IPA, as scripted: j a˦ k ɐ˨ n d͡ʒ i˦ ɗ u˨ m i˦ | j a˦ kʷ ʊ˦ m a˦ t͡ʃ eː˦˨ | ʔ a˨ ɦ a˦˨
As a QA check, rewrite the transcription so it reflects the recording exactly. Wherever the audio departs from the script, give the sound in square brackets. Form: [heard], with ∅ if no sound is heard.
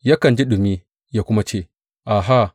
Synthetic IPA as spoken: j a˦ k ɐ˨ n d͡ʒ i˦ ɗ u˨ m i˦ | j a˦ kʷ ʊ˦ m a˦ t͡ʃ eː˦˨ | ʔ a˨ ɦ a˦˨

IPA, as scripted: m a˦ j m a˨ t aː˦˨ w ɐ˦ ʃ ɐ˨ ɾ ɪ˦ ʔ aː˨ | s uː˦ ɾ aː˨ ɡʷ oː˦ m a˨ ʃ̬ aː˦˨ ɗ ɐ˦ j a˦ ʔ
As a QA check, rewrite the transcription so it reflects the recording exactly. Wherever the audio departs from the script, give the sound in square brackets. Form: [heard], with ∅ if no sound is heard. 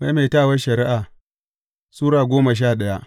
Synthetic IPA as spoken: m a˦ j m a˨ t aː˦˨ w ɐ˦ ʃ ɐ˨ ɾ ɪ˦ ʔ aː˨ | s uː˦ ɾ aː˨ ɡʷ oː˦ m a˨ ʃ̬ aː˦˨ ɗ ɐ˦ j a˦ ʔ

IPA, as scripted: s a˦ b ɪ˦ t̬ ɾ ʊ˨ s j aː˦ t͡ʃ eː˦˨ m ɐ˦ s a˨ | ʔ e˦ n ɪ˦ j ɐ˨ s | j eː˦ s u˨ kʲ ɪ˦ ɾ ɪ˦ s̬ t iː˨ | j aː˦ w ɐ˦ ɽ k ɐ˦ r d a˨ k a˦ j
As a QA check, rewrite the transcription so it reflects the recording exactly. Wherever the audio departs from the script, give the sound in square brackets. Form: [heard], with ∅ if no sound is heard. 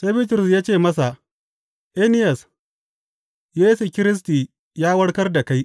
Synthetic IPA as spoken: s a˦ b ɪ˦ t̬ ɾ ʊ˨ s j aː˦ t͡ʃ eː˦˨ m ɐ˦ s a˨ | ʔ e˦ n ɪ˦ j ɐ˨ s | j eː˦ s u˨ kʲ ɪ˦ ɾ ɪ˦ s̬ t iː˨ | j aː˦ w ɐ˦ ɽ k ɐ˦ r d a˨ k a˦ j

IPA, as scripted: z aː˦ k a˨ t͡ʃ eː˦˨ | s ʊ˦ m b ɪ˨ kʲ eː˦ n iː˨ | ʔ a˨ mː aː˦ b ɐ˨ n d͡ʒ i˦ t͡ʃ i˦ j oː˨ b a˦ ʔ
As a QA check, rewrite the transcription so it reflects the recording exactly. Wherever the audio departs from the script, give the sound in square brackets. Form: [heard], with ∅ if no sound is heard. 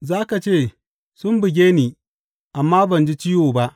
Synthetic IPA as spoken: z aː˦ k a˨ t͡ʃ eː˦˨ | s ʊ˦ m b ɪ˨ [ɡʲ] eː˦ n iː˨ | ʔ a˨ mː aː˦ b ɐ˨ n d͡ʒ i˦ t͡ʃ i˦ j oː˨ b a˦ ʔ

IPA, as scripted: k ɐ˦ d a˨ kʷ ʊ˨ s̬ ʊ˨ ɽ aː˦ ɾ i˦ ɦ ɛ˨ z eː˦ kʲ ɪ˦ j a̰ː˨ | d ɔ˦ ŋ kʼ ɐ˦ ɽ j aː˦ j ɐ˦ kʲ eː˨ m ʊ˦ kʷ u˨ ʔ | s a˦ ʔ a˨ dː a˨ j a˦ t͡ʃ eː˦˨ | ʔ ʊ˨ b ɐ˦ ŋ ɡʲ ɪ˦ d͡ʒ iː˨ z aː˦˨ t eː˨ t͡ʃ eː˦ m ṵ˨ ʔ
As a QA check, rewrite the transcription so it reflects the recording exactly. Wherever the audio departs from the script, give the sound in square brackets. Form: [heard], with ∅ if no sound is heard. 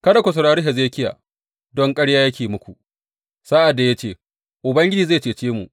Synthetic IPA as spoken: k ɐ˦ d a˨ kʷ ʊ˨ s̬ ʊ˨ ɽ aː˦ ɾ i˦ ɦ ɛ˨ z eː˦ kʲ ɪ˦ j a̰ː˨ | d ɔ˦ ŋ kʼ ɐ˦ ɽ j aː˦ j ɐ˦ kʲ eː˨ m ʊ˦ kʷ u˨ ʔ | s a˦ ʔ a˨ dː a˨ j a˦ t͡ʃ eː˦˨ | ʔ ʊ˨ b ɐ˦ ŋ ɡʲ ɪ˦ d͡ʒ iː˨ z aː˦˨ [t͡ʃ] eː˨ t͡ʃ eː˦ m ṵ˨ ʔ

